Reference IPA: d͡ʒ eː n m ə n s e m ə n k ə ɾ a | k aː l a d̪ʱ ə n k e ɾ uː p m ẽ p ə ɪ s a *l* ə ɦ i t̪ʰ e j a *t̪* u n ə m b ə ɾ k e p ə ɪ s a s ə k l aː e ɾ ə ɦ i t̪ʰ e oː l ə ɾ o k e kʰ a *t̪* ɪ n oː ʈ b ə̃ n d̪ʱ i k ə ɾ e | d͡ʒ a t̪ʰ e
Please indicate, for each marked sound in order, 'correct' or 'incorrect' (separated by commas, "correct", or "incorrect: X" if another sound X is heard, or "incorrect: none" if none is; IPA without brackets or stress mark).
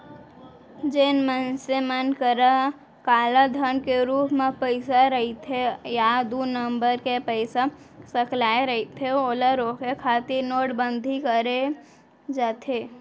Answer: incorrect: ɾ, incorrect: d̪, correct